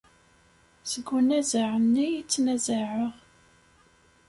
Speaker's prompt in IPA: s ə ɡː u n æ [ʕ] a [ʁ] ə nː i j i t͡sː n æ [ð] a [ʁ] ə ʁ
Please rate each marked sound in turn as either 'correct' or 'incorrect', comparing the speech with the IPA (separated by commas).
incorrect, incorrect, incorrect, incorrect